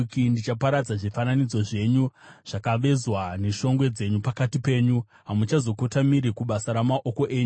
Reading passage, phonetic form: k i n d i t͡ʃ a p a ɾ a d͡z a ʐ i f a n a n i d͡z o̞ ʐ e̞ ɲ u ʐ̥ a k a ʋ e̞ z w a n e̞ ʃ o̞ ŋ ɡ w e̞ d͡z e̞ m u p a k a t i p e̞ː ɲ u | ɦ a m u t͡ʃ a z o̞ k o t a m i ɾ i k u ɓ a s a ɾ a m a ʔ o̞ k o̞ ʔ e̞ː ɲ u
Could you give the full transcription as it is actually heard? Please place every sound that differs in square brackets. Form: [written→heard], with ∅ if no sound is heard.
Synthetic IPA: k i n d i t͡ʃ a p a ɾ a d͡z a ʐ i f a n a n i d͡z o̞ ʐ e̞ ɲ u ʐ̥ a k a ʋ e̞ z w a n e̞ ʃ o̞ ŋ ɡ w e̞ d͡z e̞ [m→ɲ] u p a k a t i p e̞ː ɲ u | ɦ a m u t͡ʃ a z o̞ k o t a m i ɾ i k u ɓ a s a ɾ a m a ʔ o̞ k o̞ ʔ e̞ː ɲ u

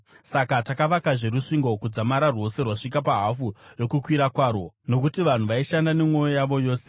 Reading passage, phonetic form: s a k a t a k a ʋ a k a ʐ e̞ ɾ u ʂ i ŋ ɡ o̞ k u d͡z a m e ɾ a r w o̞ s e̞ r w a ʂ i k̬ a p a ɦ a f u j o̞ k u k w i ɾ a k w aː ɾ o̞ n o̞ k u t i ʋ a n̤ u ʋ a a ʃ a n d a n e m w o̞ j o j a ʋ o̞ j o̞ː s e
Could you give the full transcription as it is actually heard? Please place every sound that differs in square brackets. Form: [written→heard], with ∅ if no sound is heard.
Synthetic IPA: s a k a t a k a ʋ a k a ʐ e̞ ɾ u ʂ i ŋ ɡ o̞ k u d͡z a m [e→a] ɾ a r w o̞ s e̞ r w a ʂ i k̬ a p a ɦ a f u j o̞ k u k w i ɾ a k w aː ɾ o̞ n o̞ k u t i ʋ a n̤ u ʋ a [a→i] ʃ a n d a n e m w o̞ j o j a ʋ o̞ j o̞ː s e

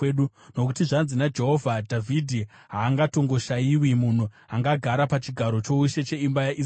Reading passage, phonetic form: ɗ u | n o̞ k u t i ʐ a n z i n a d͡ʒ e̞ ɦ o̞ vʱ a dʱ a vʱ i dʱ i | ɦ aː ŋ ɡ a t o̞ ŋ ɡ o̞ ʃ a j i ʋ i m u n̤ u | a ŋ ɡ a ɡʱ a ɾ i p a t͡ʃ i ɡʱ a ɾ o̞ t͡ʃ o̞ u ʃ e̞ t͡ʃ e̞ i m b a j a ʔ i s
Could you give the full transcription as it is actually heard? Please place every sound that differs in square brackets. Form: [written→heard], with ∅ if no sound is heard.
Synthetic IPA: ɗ u | n o̞ k u t i ʐ a n z i n a d͡ʒ e̞ ɦ o̞ vʱ a dʱ a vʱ i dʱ i | ɦ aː ŋ ɡ a t o̞ ŋ ɡ o̞ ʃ a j i [ʋ→w] i m u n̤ u | a ŋ ɡ a ɡʱ a ɾ [i→a] p a t͡ʃ i ɡʱ a ɾ o̞ t͡ʃ o̞ u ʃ e̞ t͡ʃ e̞ i m b a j a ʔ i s

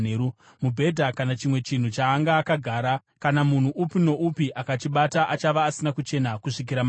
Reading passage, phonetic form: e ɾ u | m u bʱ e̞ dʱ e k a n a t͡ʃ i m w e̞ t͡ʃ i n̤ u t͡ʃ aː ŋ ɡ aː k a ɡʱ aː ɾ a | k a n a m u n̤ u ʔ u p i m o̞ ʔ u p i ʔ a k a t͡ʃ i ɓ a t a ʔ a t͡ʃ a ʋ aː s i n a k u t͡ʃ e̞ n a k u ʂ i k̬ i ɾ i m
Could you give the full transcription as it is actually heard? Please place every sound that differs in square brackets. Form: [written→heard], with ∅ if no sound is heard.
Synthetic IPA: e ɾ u | m u bʱ e̞ dʱ [e→a] k a n a t͡ʃ i m w e̞ t͡ʃ i n̤ u t͡ʃ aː ŋ ɡ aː k a ɡʱ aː ɾ a | k a n a m u n̤ u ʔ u p i [m→n] o̞ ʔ u p i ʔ a k a t͡ʃ i ɓ a t a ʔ a t͡ʃ a ʋ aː s i n a k u t͡ʃ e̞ n a k u ʂ i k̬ i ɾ [i→a] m

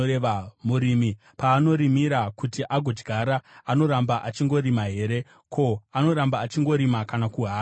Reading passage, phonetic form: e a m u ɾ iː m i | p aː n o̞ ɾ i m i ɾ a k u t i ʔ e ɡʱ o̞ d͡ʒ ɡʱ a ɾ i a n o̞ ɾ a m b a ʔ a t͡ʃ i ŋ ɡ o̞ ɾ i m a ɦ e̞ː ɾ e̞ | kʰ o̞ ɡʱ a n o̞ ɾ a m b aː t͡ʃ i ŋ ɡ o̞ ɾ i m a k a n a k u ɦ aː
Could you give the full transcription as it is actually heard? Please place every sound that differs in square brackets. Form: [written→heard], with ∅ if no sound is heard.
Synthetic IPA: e a m u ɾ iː m i | p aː n o̞ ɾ i m i ɾ a k u t i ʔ [e→a] ɡʱ o̞ d͡ʒ ɡʱ a ɾ [i→a] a n o̞ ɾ a m b a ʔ a t͡ʃ i ŋ ɡ o̞ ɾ i m a ɦ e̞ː ɾ e̞ | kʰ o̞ [ɡʱ→∅] a n o̞ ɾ a m b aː t͡ʃ i ŋ ɡ o̞ ɾ i m a k a n a k u ɦ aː

